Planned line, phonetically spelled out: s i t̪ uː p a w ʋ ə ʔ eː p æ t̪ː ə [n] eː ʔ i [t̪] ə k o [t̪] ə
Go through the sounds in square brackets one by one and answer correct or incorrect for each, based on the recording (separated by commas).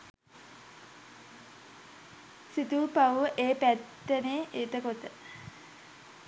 correct, correct, correct